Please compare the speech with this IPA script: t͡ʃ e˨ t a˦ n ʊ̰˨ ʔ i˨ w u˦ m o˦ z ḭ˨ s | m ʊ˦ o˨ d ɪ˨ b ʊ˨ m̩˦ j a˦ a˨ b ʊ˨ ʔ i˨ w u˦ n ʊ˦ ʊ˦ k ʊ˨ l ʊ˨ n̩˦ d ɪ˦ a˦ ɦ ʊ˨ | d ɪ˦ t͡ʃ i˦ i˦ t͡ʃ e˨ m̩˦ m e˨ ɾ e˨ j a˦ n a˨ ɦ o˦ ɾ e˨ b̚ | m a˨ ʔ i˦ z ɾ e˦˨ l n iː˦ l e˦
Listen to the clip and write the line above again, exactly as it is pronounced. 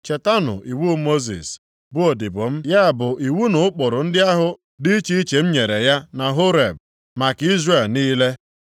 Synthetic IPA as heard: t͡ʃ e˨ t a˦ n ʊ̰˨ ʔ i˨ w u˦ m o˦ z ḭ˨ s | b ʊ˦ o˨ d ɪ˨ b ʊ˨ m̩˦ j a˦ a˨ b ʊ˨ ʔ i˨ w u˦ n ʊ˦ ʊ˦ k͡p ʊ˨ ɾ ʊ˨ n̩˦ d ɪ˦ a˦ ɦ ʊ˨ | d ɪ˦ t͡ʃ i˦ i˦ t͡ʃ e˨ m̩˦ ɲ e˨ ɾ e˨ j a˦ n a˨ ɦ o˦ ɾ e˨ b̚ | m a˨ k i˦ z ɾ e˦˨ l n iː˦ l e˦